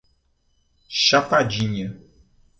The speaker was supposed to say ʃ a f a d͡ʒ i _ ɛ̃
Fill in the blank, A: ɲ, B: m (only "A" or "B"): A